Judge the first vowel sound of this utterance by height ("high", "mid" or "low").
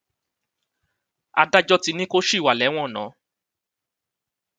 low